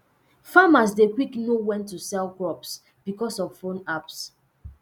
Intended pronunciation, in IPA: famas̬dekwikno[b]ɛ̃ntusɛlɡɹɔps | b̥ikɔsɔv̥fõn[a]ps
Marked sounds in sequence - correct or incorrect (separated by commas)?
incorrect, correct